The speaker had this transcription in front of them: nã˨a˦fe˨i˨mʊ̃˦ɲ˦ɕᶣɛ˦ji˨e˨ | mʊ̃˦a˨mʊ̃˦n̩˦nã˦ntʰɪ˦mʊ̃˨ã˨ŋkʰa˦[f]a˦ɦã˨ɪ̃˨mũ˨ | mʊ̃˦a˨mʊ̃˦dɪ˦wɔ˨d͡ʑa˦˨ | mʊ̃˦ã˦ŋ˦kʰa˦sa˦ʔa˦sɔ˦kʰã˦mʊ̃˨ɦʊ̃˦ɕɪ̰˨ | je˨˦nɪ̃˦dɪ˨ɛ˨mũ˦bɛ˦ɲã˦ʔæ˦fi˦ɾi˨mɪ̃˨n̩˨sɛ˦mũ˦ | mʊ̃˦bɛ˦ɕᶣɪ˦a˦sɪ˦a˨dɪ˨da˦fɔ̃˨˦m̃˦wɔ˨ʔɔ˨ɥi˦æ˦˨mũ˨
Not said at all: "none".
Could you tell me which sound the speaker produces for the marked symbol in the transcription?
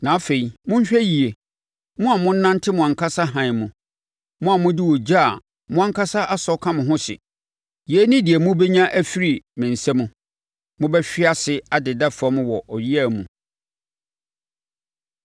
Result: s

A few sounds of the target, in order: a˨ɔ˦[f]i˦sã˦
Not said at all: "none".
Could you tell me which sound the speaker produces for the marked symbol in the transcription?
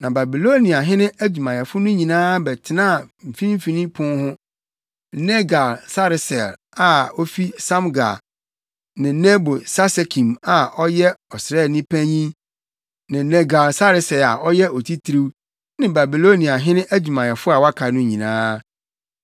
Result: f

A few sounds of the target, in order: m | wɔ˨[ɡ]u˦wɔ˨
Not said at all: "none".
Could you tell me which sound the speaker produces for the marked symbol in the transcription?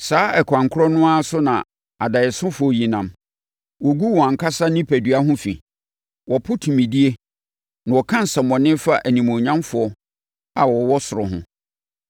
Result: ɡ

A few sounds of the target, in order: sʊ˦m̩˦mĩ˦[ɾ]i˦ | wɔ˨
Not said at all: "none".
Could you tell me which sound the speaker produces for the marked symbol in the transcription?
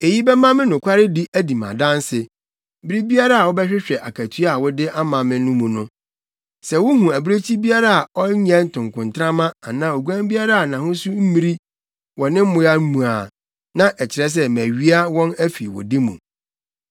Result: ɾ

